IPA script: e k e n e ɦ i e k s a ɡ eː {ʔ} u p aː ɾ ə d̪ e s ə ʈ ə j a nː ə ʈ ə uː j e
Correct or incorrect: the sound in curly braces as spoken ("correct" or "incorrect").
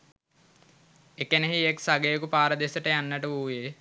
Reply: incorrect